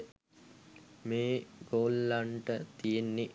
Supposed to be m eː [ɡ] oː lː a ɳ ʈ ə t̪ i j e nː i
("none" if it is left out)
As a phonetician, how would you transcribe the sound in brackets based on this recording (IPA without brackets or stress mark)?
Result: ɡ